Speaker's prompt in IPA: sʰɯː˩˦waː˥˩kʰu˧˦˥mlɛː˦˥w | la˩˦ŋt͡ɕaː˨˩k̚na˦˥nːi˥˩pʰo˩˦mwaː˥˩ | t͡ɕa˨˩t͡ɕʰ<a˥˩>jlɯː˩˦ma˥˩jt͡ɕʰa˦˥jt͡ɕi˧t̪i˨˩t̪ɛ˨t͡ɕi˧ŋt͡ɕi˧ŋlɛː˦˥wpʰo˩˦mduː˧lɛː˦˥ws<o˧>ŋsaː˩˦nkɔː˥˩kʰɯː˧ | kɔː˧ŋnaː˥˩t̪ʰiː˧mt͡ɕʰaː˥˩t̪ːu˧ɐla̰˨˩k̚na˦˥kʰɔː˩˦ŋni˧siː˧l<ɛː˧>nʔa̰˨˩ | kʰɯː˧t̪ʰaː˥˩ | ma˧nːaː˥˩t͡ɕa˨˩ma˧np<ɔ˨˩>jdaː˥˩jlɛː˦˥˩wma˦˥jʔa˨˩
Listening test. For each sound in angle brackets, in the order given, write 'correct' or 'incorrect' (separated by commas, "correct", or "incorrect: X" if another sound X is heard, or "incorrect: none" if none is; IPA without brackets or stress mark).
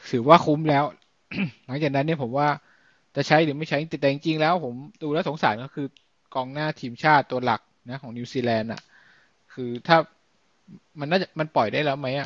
incorrect: a˦˥, incorrect: o˩˦, correct, correct